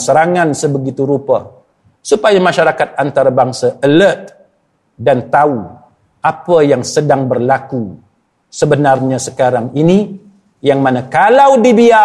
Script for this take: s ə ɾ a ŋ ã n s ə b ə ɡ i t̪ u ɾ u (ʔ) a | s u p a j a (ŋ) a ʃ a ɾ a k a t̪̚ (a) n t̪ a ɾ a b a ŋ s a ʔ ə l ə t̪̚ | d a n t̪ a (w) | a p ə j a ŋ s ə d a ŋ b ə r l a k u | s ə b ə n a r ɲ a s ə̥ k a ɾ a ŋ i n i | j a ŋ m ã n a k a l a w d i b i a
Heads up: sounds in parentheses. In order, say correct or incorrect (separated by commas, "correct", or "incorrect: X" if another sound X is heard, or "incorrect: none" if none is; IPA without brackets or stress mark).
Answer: incorrect: p, incorrect: m, correct, incorrect: u